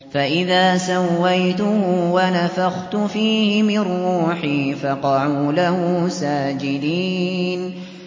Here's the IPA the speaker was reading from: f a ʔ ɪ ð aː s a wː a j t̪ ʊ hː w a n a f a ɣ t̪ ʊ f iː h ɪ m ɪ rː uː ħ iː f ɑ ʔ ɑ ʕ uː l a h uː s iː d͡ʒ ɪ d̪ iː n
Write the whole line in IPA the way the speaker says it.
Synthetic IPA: f a ʔ ɪ ð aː s a wː a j t̪ ʊ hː w a n a f a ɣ t̪ ʊ f iː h ɪ m ɪ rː uː ħ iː f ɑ q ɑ ʕ uː l a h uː s aː d͡ʒ ɪ d̪ iː n